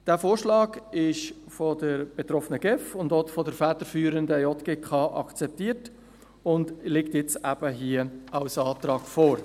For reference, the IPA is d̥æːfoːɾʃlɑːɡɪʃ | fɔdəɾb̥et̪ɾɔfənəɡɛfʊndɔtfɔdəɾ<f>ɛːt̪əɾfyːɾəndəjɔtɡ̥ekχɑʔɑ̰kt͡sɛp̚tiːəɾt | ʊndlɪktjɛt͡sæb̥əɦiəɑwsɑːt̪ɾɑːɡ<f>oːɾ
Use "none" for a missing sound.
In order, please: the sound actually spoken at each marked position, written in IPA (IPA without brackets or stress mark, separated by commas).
f, f